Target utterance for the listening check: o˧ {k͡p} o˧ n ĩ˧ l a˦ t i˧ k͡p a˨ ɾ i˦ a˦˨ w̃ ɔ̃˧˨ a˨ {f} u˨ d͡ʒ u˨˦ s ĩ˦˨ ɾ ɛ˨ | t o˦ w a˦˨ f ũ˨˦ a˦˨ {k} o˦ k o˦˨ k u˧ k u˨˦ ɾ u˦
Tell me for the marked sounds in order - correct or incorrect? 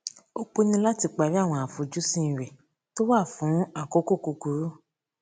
correct, correct, correct

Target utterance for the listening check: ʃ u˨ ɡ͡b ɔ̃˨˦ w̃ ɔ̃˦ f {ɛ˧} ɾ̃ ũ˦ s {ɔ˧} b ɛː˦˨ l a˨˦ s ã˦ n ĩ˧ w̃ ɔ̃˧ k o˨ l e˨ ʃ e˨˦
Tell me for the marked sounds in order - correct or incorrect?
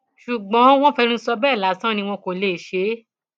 correct, correct

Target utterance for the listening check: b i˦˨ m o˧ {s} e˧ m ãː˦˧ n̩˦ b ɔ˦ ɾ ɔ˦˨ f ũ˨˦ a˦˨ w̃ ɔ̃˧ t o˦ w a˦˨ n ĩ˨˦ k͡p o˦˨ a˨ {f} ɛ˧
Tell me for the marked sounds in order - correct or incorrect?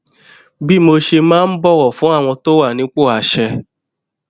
incorrect: ʃ, incorrect: ʃ

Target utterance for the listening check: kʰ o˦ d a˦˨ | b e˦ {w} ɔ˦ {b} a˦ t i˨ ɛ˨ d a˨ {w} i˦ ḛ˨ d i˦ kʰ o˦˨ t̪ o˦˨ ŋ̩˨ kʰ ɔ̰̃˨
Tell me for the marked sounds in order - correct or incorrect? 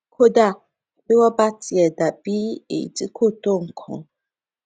correct, correct, incorrect: b

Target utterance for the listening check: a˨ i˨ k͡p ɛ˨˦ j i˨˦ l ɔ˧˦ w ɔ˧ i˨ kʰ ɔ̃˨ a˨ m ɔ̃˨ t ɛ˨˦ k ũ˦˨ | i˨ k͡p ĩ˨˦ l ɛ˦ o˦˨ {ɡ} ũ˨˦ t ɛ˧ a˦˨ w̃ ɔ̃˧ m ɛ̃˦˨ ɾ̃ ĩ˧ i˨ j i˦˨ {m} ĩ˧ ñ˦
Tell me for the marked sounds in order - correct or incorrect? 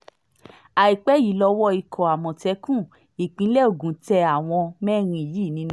correct, incorrect: n

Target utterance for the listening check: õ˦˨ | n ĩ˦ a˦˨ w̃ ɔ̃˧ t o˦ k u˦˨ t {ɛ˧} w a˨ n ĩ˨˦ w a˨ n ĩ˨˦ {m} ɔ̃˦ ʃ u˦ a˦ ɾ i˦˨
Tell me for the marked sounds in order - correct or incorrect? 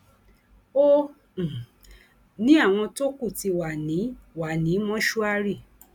incorrect: i˧, correct

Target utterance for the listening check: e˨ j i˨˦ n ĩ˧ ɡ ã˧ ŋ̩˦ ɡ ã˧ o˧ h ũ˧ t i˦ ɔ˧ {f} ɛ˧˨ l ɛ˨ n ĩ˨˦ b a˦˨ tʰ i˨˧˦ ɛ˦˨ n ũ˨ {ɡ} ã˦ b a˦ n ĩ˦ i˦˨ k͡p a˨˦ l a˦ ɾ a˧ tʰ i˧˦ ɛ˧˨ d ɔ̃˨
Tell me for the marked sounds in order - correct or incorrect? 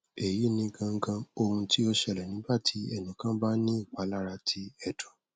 incorrect: ʃ, incorrect: k

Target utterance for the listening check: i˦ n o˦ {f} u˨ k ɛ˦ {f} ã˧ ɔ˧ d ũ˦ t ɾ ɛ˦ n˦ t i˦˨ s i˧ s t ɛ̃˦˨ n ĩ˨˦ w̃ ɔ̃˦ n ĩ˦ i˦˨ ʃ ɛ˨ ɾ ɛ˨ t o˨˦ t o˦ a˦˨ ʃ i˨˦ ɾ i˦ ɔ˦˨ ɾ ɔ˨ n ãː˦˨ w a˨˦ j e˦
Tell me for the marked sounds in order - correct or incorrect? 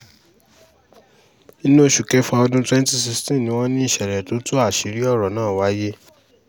incorrect: ʃ, correct

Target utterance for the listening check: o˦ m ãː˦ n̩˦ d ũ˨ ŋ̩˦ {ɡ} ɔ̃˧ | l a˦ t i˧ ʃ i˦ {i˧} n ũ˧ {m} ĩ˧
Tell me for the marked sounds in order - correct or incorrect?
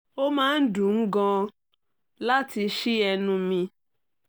correct, incorrect: ɛ˧, correct

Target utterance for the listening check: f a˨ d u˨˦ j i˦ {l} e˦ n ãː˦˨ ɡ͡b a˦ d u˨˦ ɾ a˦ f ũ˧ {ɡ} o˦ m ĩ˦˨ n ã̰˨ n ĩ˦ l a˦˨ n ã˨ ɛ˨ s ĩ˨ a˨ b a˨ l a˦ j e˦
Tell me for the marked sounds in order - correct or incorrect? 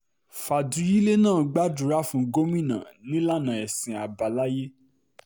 correct, correct

